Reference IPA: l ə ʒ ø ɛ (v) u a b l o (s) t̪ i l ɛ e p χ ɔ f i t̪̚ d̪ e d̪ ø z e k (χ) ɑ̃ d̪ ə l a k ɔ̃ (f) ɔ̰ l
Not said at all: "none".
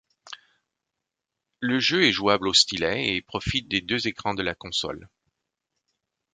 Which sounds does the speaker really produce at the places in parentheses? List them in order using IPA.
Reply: ʒ, s, χ, s

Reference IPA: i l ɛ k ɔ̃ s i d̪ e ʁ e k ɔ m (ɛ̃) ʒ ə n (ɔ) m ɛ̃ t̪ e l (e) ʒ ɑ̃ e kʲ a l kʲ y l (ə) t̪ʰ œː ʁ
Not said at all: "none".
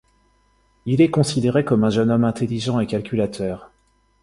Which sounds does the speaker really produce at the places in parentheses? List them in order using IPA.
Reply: ɛ̃, ɔ, i, a

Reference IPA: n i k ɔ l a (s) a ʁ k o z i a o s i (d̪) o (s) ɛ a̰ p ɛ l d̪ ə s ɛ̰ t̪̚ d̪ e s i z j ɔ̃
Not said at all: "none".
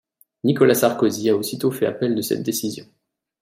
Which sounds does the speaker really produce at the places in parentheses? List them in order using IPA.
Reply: s, t̪, f

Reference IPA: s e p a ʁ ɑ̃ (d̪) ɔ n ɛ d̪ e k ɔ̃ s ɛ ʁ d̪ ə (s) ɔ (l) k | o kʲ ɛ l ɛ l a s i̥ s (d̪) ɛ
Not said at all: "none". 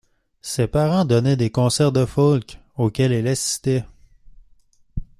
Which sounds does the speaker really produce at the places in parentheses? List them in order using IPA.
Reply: d̪, f, l, t̪

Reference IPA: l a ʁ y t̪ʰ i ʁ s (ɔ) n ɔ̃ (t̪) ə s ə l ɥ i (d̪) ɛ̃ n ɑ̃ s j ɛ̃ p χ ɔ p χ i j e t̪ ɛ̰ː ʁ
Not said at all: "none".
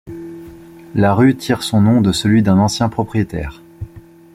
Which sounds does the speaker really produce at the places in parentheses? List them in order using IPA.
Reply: ɔ̃, d̪, d̪

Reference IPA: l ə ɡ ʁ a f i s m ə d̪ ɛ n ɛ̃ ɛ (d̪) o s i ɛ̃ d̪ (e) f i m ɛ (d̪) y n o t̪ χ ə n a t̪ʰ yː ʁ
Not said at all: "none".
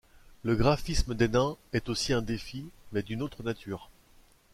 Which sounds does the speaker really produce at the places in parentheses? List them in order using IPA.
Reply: t̪, e, d̪

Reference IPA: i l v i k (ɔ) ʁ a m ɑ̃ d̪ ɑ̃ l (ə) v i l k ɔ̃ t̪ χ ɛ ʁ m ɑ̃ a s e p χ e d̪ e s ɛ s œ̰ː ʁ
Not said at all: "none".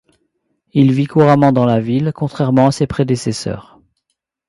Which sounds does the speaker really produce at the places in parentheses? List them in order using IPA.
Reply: u, a

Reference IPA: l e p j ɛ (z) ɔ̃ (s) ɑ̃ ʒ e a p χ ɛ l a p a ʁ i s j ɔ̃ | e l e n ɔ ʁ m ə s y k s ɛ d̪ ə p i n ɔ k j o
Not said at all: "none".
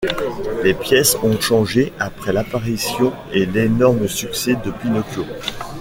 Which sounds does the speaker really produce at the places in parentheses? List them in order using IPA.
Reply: s, ʃ

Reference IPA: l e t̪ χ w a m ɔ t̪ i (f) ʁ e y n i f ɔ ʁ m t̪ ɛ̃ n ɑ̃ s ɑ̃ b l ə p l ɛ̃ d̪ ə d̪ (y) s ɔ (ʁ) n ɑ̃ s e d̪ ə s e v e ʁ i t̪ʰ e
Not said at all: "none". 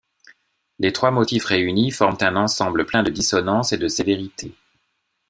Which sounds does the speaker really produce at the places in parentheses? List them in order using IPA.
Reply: f, i, none

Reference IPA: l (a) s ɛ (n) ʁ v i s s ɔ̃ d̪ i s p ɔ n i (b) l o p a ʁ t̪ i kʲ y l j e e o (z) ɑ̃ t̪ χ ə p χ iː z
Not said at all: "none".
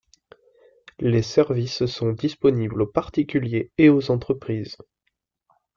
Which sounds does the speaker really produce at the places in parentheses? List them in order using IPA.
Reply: e, none, b, z

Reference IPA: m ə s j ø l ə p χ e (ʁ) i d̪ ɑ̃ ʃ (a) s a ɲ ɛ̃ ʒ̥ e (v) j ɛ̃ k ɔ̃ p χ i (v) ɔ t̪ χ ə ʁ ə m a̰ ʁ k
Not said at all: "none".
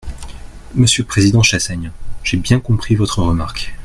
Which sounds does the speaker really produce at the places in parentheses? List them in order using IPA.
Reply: z, a, b, v

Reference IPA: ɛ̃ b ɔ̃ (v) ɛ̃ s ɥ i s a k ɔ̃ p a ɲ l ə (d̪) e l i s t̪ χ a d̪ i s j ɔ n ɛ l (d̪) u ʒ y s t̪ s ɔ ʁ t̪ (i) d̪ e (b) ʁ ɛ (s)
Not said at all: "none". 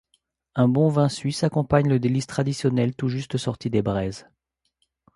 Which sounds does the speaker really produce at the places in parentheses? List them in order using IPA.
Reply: v, d̪, t̪, i, b, z

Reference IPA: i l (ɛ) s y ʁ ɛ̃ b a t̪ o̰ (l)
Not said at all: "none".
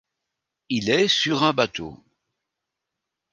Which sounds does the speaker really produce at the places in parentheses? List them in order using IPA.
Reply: ɛ, none

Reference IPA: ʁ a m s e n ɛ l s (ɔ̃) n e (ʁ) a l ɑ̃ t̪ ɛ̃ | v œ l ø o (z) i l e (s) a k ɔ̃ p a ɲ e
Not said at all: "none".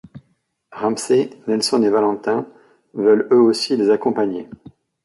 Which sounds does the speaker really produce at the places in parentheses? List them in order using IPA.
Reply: ɔ, v, s, z

